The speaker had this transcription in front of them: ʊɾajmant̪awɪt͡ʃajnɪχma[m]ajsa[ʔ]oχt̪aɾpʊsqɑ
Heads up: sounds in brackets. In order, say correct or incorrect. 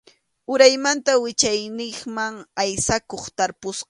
incorrect: ŋ, incorrect: k

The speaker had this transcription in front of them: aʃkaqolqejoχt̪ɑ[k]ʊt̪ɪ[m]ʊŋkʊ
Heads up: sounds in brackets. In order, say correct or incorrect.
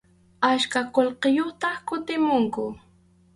correct, correct

